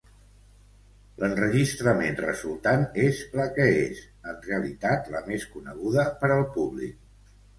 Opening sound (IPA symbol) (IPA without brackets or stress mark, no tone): l